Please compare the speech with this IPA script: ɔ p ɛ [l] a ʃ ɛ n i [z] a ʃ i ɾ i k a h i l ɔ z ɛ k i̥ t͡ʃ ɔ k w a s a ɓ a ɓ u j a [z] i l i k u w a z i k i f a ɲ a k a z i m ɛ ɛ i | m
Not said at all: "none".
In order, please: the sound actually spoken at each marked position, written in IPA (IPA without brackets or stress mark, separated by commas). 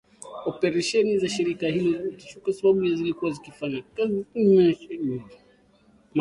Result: ɾ, z, z